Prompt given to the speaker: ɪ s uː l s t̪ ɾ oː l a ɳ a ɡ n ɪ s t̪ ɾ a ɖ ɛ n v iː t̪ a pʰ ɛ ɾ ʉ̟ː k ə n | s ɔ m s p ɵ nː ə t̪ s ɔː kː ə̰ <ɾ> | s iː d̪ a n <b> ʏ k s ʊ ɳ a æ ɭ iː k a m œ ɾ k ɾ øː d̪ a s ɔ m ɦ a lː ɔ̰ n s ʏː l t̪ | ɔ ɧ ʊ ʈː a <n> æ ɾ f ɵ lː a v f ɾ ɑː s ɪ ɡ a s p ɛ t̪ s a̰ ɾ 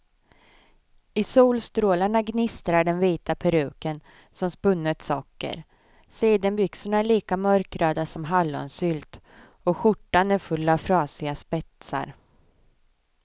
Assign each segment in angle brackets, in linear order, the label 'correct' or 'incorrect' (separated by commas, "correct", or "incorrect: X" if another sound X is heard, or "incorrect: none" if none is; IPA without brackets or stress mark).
correct, correct, correct